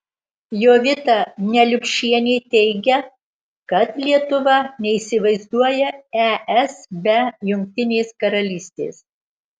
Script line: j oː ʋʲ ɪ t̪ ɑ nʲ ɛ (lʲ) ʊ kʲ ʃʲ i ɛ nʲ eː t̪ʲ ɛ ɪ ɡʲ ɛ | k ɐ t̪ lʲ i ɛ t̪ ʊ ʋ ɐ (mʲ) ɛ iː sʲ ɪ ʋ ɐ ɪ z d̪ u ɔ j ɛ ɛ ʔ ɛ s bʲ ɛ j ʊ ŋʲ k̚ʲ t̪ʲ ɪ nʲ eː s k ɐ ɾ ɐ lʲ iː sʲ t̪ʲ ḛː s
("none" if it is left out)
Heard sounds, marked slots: lʲ, nʲ

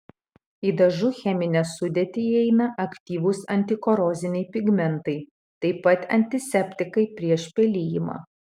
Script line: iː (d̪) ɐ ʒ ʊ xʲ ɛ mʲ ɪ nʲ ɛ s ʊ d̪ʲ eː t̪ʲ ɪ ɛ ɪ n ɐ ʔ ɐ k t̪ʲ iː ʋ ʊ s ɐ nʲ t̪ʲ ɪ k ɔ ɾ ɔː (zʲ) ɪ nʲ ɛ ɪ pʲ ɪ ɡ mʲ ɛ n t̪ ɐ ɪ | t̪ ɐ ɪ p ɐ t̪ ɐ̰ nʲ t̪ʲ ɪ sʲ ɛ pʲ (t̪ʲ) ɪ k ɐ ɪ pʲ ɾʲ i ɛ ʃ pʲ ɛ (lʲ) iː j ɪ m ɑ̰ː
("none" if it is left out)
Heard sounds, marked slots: d̪, zʲ, t̪ʲ, lʲ

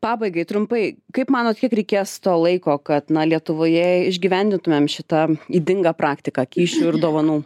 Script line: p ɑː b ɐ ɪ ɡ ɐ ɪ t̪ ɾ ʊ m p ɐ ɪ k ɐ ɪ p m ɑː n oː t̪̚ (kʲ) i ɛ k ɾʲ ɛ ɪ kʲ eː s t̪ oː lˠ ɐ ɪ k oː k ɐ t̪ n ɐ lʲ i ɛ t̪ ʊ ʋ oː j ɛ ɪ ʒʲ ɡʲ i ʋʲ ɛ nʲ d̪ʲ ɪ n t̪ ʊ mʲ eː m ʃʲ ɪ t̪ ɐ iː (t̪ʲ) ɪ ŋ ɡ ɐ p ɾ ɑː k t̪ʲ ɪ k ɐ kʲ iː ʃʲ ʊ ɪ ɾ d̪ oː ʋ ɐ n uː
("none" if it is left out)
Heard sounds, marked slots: kʲ, d̪ʲ

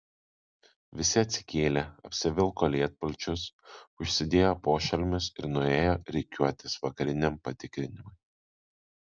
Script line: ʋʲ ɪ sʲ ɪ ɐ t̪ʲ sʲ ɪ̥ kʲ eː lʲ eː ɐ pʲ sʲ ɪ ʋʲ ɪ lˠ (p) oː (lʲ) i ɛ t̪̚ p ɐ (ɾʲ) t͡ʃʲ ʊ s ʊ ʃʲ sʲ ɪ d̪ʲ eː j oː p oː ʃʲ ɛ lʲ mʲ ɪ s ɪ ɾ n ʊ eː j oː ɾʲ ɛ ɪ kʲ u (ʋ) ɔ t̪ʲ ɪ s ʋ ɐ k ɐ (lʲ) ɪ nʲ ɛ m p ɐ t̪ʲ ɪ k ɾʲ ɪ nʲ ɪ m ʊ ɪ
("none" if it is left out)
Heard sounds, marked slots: k, lʲ, lʲ, none, ɾʲ

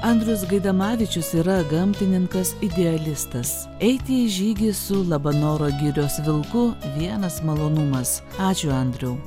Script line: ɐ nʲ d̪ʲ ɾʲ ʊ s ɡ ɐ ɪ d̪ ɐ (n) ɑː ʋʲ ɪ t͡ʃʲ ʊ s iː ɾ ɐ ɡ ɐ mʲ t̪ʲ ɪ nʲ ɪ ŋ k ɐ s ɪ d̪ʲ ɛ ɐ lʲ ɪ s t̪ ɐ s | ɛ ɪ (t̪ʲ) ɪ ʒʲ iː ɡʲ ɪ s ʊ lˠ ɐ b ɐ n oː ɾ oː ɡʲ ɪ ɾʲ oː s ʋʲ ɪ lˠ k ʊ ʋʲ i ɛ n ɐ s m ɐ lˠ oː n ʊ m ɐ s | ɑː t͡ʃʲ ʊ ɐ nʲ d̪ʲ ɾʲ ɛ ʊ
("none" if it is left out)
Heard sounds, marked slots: m, t̪ʲ

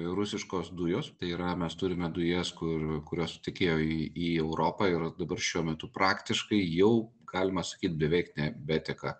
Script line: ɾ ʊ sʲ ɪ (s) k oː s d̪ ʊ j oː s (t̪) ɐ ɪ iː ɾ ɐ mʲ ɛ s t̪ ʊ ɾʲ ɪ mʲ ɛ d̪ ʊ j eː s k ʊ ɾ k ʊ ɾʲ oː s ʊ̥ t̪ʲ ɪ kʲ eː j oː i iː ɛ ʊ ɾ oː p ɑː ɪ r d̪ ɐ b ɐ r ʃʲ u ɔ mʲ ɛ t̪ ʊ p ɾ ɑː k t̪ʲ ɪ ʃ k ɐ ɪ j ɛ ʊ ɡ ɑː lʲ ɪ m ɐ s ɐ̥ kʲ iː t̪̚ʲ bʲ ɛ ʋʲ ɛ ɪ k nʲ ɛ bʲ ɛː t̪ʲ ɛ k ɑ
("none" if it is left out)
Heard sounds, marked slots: ʃ, t̪

